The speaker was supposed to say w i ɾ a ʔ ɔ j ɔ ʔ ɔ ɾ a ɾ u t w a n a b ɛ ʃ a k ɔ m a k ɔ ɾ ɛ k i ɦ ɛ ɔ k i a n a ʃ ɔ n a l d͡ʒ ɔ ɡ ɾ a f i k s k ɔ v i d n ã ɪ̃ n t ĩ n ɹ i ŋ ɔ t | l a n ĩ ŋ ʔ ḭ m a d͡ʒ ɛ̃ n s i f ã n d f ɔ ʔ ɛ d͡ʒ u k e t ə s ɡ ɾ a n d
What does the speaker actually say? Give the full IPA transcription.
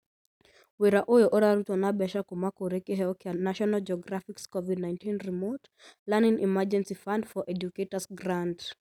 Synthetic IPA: w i ɾ a ʔ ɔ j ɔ ʔ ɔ ɾ a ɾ u t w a n a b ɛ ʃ a k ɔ m a k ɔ ɾ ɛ k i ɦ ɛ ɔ k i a n a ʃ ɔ n a l d͡ʒ ɔ ɡ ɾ a f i k s k ɔ v i d n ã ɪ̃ n t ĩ n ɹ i m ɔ t | l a n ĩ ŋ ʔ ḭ m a d͡ʒ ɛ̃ n s i f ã n d f ɔ ʔ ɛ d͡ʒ u k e t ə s ɡ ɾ a n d